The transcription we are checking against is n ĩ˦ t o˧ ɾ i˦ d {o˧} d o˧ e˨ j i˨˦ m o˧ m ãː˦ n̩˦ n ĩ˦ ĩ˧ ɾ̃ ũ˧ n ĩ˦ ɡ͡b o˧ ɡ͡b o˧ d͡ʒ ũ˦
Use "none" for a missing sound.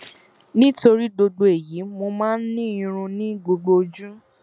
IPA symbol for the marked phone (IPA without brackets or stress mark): o˧